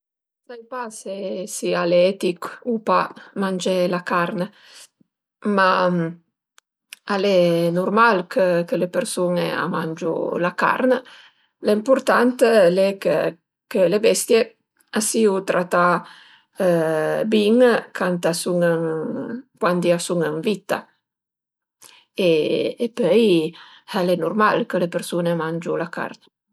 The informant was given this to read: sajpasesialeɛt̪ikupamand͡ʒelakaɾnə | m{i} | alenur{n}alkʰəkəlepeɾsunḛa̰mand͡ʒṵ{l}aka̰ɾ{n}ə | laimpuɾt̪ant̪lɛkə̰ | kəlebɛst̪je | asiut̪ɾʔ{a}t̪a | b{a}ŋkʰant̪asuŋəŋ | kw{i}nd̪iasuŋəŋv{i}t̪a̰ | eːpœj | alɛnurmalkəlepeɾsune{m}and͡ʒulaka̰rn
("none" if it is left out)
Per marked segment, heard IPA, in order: a, m, l, n, a, i, a, i, m

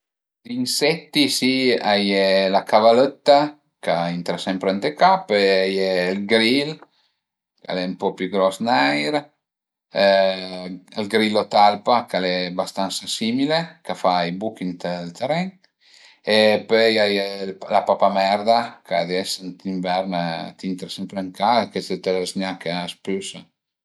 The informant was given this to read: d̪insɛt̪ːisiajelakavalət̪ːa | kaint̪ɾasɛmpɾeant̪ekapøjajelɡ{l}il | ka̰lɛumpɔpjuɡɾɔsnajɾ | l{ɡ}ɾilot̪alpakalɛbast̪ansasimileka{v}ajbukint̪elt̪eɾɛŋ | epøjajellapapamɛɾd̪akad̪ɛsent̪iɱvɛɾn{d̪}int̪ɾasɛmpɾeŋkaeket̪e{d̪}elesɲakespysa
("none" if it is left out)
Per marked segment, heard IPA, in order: ɾ, ɡ, f, t̪, t̪

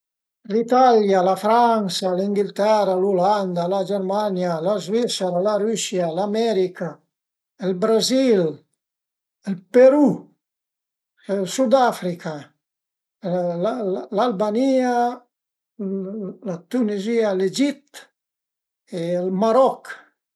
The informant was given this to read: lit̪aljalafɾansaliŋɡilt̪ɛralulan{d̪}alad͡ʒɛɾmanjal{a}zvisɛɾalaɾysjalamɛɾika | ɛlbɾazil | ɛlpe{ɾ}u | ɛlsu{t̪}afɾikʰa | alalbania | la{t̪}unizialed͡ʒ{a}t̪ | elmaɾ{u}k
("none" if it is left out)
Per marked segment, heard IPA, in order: d̪, a, ɾ, d̪, t̪, i, ɔ

